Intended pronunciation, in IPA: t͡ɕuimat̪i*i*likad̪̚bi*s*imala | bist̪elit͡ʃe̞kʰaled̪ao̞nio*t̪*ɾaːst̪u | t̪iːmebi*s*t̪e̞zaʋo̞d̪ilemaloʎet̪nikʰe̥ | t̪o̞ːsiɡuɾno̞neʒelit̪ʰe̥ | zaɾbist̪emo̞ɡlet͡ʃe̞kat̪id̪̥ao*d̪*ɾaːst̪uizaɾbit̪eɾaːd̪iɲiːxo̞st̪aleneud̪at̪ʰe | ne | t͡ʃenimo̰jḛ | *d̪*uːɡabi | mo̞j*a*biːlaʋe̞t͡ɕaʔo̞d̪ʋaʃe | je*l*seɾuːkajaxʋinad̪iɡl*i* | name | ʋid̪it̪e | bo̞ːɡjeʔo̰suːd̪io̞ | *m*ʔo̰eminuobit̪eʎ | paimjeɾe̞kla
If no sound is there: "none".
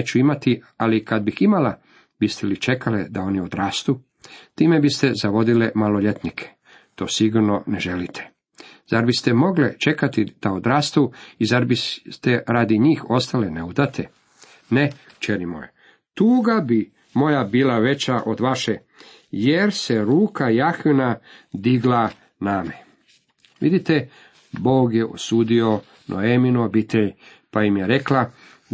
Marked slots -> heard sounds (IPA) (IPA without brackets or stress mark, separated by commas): a, x, d̪, s, d̪, t̪, a, ɾ, a, n